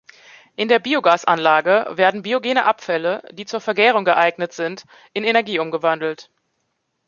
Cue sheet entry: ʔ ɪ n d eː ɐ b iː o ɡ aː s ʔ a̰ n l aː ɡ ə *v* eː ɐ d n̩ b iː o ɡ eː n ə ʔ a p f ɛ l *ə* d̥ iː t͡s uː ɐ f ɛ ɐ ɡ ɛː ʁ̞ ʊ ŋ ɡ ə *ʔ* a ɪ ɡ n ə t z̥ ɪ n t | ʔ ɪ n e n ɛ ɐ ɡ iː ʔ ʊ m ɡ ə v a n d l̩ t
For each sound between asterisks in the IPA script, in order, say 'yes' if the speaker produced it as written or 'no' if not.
yes, yes, yes

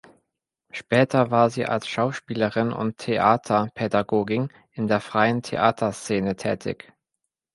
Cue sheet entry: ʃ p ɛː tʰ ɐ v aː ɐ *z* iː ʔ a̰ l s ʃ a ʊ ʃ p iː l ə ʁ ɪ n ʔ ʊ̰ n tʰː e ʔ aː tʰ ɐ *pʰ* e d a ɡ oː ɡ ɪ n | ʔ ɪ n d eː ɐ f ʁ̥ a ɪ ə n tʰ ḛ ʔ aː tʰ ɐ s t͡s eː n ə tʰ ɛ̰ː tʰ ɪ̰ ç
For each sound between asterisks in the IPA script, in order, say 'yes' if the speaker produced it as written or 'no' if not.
yes, yes

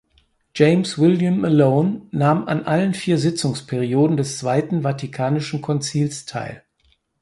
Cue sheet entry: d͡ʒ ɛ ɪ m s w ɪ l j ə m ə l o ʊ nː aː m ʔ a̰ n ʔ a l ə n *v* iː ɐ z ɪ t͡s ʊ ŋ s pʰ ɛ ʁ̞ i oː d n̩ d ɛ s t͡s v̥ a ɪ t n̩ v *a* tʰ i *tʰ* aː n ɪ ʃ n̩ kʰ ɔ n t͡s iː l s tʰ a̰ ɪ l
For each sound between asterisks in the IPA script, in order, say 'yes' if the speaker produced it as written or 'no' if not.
no, yes, no

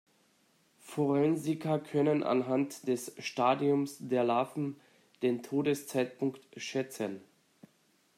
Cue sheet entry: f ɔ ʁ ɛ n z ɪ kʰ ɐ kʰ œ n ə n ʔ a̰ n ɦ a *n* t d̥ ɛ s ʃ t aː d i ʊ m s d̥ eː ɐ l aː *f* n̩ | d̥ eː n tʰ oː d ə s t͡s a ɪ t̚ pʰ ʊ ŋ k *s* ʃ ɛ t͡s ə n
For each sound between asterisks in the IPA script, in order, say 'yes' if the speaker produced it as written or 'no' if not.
yes, yes, no

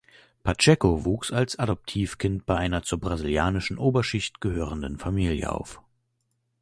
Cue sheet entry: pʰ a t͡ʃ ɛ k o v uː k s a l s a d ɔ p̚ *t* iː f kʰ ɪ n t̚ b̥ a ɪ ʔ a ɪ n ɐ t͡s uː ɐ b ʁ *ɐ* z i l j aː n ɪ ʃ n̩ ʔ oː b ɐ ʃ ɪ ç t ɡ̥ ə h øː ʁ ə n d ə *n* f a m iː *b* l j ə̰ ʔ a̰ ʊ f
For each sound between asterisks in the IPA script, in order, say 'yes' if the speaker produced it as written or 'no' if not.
no, no, yes, no

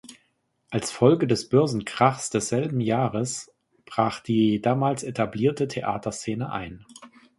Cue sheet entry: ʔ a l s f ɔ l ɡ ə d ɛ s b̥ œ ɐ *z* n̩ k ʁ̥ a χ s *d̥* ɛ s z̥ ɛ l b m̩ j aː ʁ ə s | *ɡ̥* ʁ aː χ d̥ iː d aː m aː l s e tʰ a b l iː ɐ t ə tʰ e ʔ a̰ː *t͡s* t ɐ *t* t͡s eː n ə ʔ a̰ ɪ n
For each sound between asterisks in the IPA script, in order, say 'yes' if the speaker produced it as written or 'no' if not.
yes, yes, no, no, no

